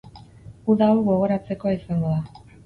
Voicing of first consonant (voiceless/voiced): voiced